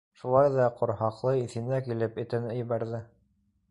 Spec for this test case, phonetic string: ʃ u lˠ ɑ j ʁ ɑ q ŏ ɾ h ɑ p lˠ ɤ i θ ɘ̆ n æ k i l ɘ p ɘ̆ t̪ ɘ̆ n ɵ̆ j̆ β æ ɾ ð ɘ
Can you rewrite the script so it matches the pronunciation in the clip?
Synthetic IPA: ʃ u lˠ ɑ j ð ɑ q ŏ ɾ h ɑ q lˠ ɤ i θ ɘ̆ n æ k i l ɘ p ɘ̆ t̪ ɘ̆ n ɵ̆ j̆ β æ ɾ ð ɘ

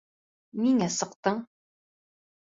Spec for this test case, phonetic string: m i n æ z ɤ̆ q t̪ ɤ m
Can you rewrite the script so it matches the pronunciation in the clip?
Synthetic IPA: m i ŋ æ s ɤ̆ q t̪ ɤ ɴ

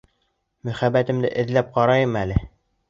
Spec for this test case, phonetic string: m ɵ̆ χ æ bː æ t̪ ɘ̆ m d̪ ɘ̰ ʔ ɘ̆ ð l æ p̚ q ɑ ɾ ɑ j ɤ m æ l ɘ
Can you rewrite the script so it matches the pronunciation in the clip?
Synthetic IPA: m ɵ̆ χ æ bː æ t̪ ɘ̆ m d̪ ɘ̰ ʔ ɘ̆ ð l æ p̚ q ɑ ɾ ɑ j ɤ m æ l ɘ

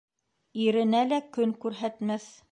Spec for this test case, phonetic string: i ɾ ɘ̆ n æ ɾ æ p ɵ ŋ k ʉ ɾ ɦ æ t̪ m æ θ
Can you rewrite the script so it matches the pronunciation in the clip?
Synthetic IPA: i ɾ ɘ̆ n æ l æ k ɵ ŋ k ʉ ɾ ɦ æ t̪ m æ θ

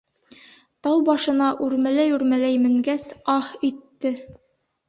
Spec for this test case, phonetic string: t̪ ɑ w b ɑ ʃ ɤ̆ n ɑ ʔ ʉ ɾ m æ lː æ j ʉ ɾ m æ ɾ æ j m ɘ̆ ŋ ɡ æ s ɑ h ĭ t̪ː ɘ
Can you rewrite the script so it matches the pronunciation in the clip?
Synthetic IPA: t̪ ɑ w b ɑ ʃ ɤ̆ n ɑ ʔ ʉ ɾ m æ l æ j ʉ ɾ m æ l æ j m ɘ̆ ŋ ɡ æ s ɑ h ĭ t̪ː ɘ

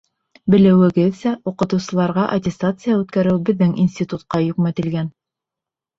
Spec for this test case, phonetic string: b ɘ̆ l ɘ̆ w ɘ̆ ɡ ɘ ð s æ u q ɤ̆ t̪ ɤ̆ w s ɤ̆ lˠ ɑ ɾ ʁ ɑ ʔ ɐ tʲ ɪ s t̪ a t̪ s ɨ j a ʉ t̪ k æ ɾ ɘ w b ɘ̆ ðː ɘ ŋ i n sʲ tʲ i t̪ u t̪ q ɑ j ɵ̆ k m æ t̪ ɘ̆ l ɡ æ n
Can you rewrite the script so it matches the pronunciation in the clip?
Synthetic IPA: b ɘ̆ l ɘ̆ w ɘ̆ ɡ ɘ ð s æ u q ɤ̆ t̪ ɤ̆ w s ɤ̆ lˠ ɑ ɾ ʁ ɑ ʔ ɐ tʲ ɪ s t̪ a t̪ s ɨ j a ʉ t̪ k æ ɾ ɘ w b ɘ̆ ðː ɘ ŋ i n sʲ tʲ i t̪ u t̪ q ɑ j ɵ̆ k m æ t̪ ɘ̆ l ɡ æ n

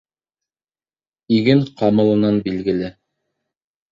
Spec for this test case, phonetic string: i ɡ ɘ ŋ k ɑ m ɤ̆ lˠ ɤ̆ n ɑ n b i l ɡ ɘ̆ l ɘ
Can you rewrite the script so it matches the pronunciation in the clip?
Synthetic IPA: i ɡ ɘ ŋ q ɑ m ɤ̆ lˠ ɤ̆ n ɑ n b i l ɡ ɘ̆ l ɘ

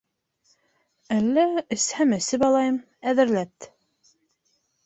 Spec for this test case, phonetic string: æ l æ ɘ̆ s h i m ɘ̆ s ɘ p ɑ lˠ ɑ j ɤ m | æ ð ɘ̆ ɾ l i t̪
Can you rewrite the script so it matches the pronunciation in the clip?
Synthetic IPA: æ lː æ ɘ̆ s h æ m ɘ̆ s ɘ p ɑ lˠ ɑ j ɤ m | æ ð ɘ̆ ɾ l æ t̪

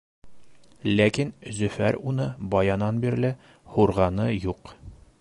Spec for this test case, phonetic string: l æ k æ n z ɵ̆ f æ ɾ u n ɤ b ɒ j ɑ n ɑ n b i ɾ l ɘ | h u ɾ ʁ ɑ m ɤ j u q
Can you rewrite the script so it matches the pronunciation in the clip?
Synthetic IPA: l æ k i n z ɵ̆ f æ ɾ u n ɤ b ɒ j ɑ n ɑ n b i ɾ l ɘ | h u ɾ ʁ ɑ n ɤ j u q

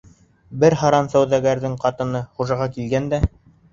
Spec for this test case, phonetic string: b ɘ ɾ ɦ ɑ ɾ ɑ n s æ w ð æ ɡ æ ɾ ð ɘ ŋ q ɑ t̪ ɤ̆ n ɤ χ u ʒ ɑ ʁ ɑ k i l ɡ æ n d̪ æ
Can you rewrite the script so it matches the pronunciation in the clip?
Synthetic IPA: b ɘ ɾ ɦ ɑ ɾ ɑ n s æ w ð æ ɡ æ ɾ ð ɘ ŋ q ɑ t̪ ɤ̆ n ɤ χ u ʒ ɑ ʁ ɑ k i l ɡ æ n d̪ æ

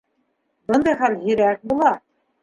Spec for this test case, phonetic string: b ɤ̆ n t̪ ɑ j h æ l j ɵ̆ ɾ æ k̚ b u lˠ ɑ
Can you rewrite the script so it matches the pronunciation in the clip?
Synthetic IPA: b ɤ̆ n d̪ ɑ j χ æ l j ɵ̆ ɾ æ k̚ b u lˠ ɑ

